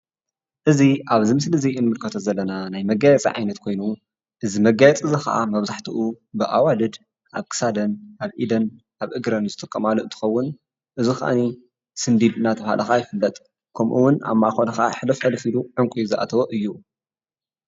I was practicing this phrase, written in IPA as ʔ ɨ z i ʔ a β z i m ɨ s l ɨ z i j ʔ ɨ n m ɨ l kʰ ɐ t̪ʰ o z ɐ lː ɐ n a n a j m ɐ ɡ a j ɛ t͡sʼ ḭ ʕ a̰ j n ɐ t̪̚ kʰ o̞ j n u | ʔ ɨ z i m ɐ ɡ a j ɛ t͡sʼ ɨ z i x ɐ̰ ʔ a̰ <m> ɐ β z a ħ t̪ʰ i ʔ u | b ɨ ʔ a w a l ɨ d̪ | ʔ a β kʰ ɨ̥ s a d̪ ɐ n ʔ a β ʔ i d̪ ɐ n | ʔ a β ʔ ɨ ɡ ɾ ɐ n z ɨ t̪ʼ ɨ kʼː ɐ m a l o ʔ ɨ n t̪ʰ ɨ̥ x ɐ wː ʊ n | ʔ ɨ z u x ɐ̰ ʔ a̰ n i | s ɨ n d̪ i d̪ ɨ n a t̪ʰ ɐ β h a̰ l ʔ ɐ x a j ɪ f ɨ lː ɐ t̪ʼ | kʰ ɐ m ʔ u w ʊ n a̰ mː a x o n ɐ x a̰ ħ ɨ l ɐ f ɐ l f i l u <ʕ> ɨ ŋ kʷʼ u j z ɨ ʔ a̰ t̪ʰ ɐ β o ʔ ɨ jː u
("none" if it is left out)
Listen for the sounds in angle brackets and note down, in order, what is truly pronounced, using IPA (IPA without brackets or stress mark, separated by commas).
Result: m, ʕ